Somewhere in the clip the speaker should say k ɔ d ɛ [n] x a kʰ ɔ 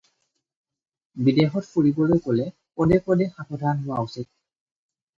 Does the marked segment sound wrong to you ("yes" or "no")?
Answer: yes